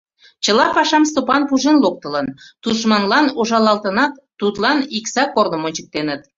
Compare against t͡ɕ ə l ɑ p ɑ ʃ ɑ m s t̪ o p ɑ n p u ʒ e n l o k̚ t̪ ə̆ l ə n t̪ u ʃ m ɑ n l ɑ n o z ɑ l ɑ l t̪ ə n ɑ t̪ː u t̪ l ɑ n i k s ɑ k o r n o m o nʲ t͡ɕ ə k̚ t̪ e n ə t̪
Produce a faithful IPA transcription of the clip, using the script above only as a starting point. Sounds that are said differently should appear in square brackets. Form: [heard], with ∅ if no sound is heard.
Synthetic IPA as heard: t͡ɕ ə l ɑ p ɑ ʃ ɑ m s t̪ o p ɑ n p u ʒ e n l o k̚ t̪ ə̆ l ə n t̪ u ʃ m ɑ n l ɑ n o [ʒ] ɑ l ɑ l t̪ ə n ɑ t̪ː u t̪ l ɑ n i k s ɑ k o r n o m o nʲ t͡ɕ ə k̚ t̪ e n ə t̪